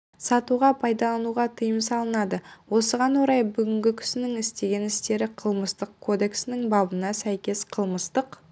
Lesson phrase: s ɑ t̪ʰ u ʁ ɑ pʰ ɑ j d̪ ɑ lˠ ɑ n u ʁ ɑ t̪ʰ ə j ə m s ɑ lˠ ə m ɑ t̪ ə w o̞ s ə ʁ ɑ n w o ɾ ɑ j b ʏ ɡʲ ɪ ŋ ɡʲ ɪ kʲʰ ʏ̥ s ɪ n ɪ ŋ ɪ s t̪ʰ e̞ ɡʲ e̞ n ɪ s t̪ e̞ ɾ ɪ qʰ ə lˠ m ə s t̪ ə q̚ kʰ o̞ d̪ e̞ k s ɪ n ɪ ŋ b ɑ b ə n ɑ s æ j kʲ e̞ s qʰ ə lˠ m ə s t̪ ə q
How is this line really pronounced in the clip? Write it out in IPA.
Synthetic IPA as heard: s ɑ t̪ u ʁ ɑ pʰ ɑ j d̪ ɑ lˠ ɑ n u ʁ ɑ t̪ʰ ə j ə m s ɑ lˠ ə n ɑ d̪ ə w o̞ s ə ʁ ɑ n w o ɾ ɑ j b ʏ ɡʲ ɪ ŋ ɡʲ ɪ kʲʰ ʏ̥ s ɪ n ɪ ŋ ɪ s t̪ e̞ ɡʲ e̞ n ɪ s t̪ e̞ ɾ ɪ qʰ ə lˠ m ə s t̪ ə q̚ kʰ o̞ d̪ e̞ k s ɪ n ɪ ŋ b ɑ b ə n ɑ s æ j kʲ e̞ s qʰ ə lˠ m ə s t̪ ə q